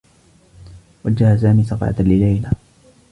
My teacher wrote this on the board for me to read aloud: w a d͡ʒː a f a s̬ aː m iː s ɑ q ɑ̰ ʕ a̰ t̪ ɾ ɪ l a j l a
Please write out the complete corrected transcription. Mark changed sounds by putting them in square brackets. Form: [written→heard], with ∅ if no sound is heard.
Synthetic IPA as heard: w a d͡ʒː a [f→h] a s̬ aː m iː s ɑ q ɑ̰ ʕ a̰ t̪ [ɾ→l] ɪ l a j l a